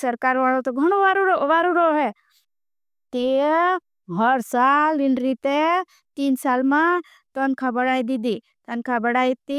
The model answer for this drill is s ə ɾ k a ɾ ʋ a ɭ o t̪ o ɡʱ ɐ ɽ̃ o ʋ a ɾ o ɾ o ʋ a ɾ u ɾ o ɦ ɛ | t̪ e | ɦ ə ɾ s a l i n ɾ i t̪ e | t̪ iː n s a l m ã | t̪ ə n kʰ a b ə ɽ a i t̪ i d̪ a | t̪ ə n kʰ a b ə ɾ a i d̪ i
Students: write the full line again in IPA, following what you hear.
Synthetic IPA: s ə ɾ k a ɾ ʋ a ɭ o t̪ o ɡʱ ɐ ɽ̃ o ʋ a ɾ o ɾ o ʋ a ɾ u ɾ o ɦ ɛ | t̪ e | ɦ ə ɾ s a l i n ɾ i t̪ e | t̪ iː n s a l m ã | t̪ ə n kʰ a b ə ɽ a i d̪ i d̪ i | t̪ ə n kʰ a b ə ɽ a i t̪ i